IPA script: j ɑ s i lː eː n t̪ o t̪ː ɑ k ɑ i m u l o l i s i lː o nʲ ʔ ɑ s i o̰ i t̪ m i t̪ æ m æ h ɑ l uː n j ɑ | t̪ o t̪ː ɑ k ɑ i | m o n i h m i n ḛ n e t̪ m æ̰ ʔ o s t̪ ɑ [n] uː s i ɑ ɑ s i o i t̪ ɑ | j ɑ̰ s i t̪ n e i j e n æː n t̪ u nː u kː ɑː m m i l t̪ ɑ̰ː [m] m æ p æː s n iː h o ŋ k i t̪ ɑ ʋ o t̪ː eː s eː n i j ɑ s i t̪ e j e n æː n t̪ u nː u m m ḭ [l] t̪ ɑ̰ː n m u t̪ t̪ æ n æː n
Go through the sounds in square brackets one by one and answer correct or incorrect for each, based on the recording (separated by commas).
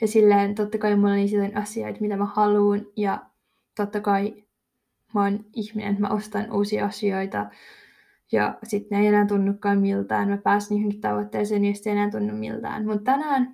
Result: correct, incorrect, correct